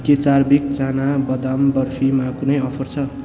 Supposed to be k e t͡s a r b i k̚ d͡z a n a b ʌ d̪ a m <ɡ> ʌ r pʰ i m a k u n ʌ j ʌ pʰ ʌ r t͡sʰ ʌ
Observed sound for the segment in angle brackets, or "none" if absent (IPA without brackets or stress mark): b